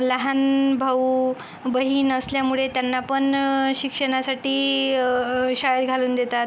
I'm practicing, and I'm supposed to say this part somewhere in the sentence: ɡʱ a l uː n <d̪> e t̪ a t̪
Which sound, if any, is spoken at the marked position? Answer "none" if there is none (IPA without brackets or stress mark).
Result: d̪